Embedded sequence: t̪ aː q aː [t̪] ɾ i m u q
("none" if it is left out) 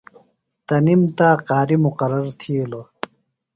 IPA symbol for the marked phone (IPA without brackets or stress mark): none